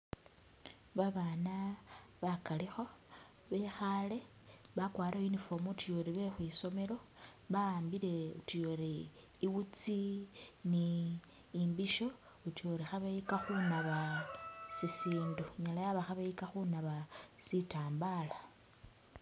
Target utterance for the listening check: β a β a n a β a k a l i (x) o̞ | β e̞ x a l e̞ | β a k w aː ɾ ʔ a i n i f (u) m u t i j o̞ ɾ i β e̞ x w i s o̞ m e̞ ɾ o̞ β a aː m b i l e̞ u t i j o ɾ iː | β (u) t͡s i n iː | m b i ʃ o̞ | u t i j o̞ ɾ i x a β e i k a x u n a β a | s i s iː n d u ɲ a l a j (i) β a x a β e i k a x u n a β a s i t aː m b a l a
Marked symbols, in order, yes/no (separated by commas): yes, no, yes, no